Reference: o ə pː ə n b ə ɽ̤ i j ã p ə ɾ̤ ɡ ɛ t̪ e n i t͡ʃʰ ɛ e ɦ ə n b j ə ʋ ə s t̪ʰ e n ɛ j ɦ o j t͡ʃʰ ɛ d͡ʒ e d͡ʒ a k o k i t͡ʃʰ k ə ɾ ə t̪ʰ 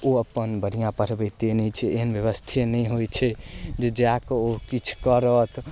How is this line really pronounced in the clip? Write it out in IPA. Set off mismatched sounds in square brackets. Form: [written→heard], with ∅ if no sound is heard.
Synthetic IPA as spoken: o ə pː ə n b ə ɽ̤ i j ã p ə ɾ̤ [ɡ→b] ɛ t̪ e n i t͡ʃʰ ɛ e ɦ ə n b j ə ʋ ə s t̪ʰ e n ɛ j ɦ o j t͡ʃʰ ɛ d͡ʒ e d͡ʒ a k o k i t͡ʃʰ k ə ɾ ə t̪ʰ